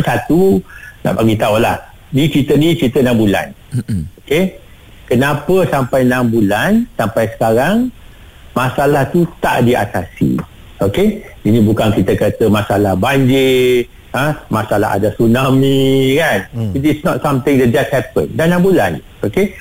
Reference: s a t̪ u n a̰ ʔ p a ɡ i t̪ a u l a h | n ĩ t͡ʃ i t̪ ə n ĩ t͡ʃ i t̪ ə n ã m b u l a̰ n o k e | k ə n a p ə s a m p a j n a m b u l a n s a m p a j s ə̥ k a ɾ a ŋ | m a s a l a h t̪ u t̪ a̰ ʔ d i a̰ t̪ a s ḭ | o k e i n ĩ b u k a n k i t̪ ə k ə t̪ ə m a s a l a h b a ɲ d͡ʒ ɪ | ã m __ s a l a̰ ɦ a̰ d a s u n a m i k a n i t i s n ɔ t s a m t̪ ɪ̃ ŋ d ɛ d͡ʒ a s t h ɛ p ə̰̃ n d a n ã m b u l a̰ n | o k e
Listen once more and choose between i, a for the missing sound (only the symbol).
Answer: a